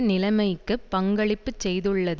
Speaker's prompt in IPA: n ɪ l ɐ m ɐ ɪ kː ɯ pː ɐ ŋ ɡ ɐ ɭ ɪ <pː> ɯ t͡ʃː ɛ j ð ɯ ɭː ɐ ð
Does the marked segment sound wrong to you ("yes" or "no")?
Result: no